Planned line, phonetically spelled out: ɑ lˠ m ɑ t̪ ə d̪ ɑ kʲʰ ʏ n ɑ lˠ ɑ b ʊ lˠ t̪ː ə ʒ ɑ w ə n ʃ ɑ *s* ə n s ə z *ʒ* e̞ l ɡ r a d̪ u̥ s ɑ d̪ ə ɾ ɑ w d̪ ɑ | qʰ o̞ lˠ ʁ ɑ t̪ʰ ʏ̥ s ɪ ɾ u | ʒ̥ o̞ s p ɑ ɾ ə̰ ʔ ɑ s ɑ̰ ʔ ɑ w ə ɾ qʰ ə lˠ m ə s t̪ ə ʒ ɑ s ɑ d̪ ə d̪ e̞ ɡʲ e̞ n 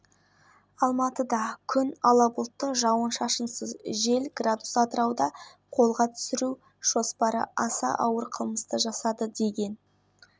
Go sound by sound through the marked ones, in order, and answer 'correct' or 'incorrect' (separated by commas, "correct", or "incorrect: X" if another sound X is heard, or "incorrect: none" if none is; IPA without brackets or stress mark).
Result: incorrect: ʃ, correct